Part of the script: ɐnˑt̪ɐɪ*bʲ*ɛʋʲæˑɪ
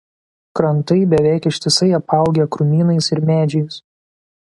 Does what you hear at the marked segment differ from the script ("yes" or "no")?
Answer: no